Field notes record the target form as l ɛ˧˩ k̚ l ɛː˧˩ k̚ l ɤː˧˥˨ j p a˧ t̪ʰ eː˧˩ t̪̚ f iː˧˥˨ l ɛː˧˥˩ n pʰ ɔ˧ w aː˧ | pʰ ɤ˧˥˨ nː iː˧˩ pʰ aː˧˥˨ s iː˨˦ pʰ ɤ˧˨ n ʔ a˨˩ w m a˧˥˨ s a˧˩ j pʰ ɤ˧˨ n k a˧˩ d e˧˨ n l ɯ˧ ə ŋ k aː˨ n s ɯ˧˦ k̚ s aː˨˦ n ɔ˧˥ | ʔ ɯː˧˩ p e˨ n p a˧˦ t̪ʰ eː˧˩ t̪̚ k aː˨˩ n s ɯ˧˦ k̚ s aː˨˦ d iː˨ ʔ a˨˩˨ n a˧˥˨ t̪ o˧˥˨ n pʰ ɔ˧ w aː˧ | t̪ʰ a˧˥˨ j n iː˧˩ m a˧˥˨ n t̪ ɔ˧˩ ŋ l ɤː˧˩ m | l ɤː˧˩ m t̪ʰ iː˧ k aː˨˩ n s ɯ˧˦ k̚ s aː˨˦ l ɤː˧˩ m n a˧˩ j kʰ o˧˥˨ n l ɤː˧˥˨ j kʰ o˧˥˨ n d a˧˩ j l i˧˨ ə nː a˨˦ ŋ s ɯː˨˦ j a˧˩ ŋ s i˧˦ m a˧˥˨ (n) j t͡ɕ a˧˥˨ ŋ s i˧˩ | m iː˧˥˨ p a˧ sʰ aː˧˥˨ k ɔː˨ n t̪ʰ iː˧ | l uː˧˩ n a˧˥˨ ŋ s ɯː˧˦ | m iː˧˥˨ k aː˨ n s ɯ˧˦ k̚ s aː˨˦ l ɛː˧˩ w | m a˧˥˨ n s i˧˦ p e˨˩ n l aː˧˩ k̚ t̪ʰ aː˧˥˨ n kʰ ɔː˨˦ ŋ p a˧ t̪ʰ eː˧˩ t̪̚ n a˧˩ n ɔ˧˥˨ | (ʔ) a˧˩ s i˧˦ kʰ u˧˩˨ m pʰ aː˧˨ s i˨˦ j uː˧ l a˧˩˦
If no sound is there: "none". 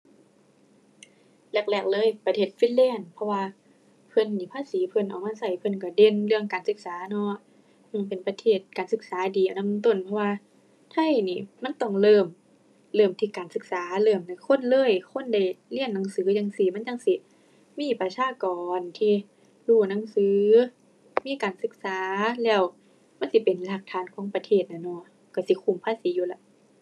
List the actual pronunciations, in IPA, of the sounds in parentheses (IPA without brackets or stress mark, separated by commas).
n, k